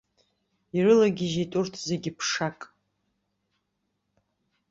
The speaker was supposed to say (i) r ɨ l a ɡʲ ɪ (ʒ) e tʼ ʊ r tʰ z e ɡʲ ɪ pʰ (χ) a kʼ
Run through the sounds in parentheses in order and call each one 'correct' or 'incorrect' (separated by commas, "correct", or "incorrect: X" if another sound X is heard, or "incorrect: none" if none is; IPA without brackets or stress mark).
correct, correct, incorrect: ʂ